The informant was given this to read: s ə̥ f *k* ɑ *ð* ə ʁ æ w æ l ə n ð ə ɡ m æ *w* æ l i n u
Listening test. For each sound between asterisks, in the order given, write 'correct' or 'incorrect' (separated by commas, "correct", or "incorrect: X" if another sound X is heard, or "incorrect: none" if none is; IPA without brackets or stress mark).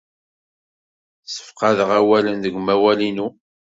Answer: incorrect: q, correct, correct